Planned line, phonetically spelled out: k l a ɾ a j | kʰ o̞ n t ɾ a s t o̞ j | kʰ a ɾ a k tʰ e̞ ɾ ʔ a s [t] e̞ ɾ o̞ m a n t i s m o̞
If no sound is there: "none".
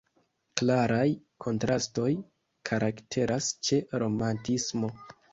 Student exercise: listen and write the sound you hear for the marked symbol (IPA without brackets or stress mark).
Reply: t͡ʃ